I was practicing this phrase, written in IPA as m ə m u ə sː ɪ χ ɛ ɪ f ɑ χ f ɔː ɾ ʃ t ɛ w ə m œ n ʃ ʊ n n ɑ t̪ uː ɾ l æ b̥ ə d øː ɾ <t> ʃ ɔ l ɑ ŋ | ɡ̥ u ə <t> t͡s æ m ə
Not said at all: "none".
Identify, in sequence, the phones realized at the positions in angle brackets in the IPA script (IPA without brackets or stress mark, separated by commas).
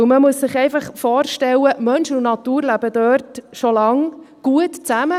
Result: t, t